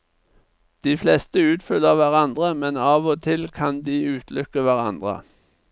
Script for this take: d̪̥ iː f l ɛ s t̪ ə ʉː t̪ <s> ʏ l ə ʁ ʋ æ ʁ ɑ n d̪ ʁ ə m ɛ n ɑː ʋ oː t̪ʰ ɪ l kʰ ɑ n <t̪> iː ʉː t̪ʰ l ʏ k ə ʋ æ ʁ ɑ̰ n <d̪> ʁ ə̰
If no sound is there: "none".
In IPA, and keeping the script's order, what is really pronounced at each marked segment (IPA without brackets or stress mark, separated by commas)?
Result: f, d̪, d̪